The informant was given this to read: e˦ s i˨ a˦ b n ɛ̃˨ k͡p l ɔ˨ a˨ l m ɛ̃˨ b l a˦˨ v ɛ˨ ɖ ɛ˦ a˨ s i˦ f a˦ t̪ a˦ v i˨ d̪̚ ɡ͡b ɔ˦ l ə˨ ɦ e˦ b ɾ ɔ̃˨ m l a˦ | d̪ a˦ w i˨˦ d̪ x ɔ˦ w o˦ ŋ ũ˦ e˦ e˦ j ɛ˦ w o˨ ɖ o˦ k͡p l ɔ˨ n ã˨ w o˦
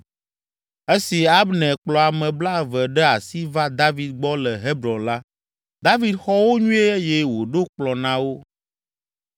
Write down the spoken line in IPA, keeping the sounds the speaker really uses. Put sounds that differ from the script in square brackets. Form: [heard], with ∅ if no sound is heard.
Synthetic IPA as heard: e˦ s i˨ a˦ b n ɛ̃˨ k͡p l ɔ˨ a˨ [∅] m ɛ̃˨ b l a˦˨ v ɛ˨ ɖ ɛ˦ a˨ s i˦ [v] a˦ [d̪] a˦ v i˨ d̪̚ ɡ͡b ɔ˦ l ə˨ ɦ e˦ b ɾ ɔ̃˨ [n] l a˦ | d̪ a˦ [v] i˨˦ d̪ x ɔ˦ w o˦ [ɲ] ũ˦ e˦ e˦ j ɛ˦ w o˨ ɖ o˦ k͡p l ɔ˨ n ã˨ w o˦